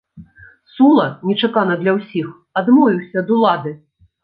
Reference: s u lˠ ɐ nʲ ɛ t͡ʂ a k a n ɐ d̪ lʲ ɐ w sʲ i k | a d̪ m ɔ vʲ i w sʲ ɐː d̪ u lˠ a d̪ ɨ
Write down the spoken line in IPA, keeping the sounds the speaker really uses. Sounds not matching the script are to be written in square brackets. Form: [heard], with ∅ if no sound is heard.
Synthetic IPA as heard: s u lˠ ɐ nʲ ɛ t͡ʂ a k a n ɐ d̪ lʲ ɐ w sʲ i [x] | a d̪ m ɔ vʲ i w sʲ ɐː d̪ u lˠ a d̪ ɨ